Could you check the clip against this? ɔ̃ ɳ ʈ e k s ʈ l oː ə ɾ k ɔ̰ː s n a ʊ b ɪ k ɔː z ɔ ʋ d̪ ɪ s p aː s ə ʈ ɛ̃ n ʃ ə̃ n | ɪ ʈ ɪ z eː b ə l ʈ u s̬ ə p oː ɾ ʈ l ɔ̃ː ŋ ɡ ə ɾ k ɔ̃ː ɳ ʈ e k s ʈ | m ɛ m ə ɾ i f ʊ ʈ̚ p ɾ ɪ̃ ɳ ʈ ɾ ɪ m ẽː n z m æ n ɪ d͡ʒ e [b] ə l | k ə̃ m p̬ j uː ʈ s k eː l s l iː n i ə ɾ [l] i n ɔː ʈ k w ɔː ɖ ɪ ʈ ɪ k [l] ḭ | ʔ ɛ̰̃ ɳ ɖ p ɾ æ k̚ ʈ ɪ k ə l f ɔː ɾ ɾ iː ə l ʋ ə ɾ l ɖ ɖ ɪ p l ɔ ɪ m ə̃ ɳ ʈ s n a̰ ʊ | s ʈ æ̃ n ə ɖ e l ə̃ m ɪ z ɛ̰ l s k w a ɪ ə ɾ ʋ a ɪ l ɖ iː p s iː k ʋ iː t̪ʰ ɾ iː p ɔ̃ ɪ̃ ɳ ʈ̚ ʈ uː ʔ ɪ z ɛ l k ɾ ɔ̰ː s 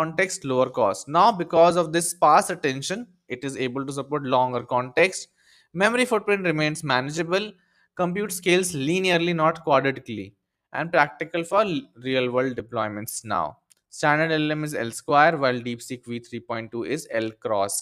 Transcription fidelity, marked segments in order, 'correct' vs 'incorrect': correct, correct, correct

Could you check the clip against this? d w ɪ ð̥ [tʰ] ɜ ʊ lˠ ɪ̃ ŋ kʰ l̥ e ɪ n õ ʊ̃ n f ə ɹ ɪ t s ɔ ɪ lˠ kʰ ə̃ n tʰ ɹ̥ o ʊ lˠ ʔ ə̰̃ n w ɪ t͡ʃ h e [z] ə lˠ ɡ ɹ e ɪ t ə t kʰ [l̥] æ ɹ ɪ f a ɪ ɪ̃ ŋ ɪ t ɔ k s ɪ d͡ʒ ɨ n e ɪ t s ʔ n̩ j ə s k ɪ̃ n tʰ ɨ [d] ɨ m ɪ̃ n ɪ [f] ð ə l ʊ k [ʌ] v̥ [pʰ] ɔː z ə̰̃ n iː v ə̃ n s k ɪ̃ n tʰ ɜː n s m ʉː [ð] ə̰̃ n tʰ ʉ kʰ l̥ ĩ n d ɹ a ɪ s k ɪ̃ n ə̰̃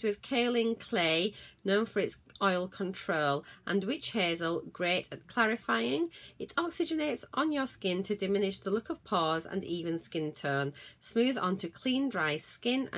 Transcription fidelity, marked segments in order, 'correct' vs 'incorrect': incorrect: kʰ, correct, correct, correct, incorrect: ʃ, incorrect: ə, correct, correct

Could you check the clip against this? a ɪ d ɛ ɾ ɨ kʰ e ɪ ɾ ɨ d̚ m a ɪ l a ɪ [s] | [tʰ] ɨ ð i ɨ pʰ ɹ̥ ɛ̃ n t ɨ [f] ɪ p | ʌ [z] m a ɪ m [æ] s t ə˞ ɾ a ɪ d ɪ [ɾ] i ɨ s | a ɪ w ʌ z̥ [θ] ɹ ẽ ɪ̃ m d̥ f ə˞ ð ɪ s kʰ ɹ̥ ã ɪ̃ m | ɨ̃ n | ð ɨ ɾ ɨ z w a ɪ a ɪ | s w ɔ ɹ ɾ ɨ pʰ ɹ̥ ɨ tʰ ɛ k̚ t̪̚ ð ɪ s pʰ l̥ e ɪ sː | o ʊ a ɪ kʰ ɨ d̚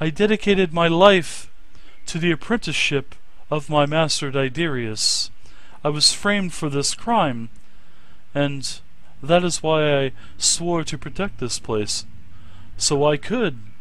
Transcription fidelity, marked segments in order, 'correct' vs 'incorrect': incorrect: f, correct, incorrect: ʃ, incorrect: v, correct, incorrect: ɹ, incorrect: f

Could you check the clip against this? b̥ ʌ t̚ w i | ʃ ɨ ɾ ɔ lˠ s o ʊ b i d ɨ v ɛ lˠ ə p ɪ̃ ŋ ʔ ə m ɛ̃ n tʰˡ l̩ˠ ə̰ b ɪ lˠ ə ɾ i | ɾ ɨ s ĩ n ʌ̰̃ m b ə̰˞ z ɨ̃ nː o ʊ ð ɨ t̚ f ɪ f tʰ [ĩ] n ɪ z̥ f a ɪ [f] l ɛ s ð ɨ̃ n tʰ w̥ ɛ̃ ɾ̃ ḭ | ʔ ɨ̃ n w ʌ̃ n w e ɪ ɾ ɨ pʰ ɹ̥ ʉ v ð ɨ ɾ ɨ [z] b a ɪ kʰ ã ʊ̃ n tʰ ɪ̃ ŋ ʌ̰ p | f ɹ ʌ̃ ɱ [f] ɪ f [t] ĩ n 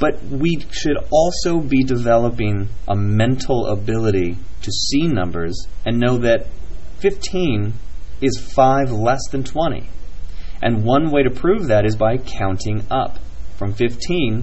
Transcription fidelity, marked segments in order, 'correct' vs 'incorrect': correct, incorrect: v, correct, correct, incorrect: tʰ

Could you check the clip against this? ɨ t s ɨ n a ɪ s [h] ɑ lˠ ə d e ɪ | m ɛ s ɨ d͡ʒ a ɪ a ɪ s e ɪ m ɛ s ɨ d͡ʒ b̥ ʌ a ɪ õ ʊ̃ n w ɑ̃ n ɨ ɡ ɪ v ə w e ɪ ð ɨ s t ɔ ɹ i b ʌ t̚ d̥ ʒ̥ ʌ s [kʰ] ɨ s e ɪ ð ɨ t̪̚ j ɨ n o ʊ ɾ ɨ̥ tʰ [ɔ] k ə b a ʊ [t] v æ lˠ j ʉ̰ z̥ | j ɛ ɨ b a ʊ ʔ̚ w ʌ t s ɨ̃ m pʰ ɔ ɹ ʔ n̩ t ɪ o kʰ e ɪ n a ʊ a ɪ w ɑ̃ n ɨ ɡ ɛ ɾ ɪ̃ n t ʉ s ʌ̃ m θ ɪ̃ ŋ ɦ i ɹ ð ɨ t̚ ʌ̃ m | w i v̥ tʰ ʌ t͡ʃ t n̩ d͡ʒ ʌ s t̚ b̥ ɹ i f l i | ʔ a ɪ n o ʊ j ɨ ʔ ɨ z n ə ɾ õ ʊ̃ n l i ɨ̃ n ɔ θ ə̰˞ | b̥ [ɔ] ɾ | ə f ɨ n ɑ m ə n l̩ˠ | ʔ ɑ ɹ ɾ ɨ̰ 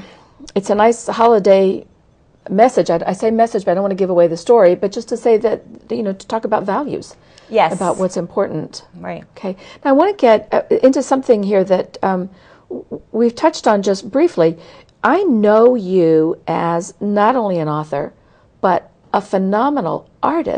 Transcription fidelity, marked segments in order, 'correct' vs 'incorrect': correct, incorrect: tʰ, correct, correct, incorrect: ʌ

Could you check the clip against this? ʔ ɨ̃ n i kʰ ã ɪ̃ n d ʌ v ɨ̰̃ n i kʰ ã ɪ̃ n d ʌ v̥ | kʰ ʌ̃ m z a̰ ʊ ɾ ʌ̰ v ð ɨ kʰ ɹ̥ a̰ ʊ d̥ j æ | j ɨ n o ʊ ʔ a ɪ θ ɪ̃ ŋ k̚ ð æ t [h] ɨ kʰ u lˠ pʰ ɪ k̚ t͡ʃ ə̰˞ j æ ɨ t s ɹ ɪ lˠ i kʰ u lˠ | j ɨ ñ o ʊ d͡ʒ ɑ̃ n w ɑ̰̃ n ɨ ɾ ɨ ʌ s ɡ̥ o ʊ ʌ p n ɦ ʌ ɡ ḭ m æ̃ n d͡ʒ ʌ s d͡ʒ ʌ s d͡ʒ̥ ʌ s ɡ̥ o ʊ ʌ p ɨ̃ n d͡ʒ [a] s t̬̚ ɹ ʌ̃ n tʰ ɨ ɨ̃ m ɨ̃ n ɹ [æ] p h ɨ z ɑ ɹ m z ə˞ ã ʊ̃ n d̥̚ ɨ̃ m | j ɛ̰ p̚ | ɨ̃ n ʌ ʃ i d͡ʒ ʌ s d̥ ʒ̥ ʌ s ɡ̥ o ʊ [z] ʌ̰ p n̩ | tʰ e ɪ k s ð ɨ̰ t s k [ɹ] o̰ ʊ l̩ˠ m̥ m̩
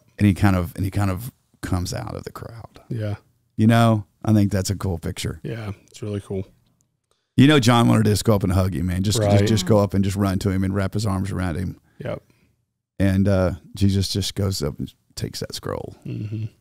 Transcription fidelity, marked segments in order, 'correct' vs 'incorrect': incorrect: s, incorrect: ʌ, correct, correct, correct

